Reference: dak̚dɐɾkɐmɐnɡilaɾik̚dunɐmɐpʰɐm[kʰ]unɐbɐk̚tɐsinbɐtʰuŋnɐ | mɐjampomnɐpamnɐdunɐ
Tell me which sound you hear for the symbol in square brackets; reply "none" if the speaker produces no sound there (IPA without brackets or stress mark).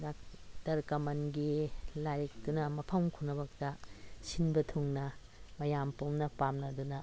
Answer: kʰ